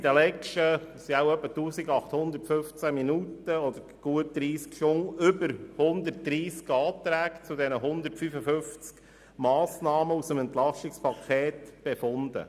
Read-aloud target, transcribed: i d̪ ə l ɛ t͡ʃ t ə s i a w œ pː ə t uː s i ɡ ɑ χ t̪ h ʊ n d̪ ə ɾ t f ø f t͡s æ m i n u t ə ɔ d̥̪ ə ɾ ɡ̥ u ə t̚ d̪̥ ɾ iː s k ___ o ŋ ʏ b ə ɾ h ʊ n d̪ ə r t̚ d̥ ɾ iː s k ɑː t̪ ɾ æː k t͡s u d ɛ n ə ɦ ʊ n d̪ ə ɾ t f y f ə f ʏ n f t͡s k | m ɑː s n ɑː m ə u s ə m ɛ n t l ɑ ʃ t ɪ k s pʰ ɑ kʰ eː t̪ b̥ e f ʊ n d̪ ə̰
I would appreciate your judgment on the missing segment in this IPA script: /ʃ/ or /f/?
ʃ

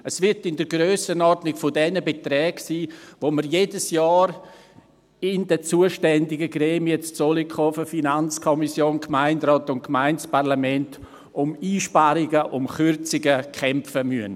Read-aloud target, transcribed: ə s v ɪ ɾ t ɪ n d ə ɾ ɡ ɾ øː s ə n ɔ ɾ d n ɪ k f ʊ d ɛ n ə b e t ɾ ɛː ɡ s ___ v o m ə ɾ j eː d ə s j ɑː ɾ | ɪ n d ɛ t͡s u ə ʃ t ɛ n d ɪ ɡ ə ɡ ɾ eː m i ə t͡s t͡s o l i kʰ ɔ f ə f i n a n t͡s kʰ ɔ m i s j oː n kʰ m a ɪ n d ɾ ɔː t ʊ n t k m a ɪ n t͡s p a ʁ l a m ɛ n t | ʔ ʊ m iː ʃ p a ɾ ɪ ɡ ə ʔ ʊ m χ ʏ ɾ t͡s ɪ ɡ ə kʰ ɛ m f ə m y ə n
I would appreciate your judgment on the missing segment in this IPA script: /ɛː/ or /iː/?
iː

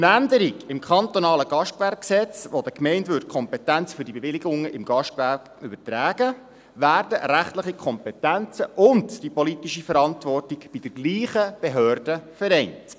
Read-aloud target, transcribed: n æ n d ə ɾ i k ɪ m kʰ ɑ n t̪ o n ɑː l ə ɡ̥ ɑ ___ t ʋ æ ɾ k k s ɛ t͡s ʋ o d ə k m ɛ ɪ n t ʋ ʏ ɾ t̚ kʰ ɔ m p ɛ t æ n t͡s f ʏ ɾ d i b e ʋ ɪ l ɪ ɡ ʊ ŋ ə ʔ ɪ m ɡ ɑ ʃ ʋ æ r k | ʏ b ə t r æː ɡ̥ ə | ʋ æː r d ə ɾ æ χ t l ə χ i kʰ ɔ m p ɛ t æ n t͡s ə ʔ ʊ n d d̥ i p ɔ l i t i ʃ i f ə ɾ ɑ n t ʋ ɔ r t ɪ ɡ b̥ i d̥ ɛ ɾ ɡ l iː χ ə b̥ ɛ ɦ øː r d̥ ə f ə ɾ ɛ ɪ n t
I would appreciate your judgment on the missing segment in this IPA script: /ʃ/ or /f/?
ʃ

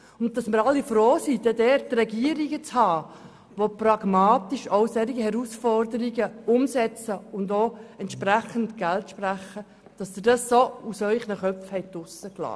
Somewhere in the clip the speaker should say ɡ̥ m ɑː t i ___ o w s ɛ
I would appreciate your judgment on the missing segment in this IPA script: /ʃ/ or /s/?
ʃ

